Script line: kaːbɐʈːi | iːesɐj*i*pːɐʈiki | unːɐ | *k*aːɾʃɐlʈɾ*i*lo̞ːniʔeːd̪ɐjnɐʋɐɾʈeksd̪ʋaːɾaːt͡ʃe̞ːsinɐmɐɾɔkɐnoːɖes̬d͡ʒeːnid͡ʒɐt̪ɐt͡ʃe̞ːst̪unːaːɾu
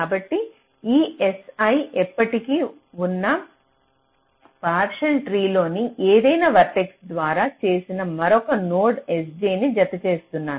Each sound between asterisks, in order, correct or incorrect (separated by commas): incorrect, incorrect, incorrect